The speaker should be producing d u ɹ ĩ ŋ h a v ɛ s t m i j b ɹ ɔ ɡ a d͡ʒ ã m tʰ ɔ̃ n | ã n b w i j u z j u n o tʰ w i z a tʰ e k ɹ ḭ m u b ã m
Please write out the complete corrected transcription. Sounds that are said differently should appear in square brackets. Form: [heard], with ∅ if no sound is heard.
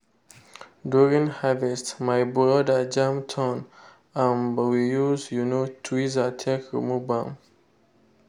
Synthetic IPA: d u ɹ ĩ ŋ h a v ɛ s t m [a] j b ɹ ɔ [d] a d͡ʒ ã m tʰ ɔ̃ n | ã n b w i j u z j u n o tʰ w i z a tʰ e k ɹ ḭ m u b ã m